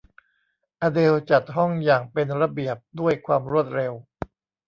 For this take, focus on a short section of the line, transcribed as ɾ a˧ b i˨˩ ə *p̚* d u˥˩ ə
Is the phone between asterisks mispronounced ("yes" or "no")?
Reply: no